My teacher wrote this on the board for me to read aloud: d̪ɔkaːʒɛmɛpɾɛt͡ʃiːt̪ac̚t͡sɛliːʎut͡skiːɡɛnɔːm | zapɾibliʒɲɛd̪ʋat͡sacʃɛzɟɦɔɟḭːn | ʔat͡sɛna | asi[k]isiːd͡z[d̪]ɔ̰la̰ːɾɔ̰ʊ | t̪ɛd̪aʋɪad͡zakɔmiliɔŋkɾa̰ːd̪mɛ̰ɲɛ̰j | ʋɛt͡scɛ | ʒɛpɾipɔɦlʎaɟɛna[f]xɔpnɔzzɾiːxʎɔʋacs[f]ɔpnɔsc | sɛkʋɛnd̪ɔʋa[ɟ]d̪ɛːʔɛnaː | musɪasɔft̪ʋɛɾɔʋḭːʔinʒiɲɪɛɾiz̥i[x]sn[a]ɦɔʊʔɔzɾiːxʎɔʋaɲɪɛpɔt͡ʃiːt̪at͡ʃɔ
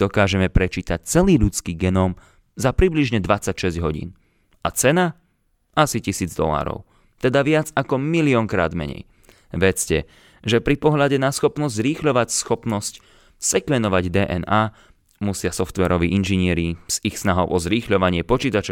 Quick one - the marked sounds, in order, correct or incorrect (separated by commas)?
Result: incorrect, correct, incorrect, incorrect, correct, correct, correct